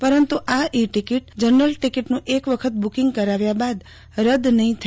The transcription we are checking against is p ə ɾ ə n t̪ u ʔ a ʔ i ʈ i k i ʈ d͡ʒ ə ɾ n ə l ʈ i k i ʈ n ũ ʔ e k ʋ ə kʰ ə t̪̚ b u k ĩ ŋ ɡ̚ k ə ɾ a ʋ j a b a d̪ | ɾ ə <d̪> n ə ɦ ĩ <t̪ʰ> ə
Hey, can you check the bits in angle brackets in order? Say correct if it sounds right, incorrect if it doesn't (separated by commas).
correct, correct